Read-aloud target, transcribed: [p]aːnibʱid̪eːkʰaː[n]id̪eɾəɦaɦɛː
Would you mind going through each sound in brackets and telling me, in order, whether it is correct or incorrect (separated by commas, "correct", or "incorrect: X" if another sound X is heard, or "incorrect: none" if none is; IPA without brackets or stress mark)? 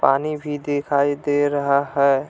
correct, incorrect: none